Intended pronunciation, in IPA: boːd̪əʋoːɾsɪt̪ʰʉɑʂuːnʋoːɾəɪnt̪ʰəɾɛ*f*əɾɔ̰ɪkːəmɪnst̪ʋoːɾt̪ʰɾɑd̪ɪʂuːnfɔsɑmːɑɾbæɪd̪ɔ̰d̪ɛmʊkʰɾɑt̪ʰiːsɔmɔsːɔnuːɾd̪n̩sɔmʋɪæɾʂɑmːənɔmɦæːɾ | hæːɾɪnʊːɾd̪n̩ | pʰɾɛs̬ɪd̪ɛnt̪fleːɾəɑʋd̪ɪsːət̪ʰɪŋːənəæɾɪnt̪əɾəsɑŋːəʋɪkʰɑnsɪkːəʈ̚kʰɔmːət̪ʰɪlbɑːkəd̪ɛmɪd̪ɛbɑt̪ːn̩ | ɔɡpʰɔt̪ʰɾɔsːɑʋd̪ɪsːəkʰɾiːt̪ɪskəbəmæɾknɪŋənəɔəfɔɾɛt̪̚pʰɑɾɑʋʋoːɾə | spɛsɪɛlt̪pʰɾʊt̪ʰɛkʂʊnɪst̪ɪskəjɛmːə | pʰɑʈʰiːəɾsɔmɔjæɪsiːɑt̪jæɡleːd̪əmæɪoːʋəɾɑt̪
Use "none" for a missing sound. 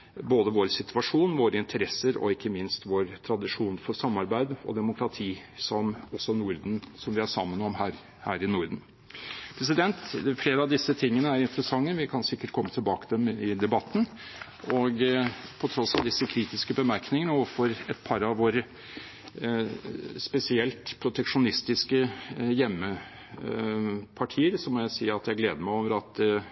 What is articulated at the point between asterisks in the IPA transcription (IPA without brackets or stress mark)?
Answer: s